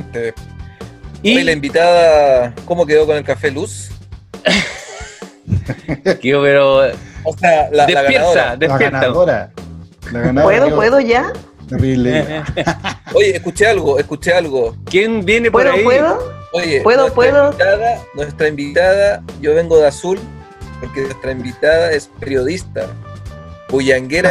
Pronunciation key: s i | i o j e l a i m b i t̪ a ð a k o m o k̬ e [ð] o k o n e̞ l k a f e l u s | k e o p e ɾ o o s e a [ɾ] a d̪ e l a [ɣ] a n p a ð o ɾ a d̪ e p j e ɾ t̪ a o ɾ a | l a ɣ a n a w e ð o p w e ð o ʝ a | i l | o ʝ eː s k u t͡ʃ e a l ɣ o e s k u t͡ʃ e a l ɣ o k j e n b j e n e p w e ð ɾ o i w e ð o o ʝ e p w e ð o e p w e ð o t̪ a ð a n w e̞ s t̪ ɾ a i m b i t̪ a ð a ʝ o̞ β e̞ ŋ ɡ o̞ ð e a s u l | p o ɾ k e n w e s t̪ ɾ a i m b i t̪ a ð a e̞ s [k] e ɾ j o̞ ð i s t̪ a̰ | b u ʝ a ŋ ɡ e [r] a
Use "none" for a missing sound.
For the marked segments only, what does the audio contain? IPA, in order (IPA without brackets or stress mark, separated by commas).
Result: ð, l, ɣ, p, ɾ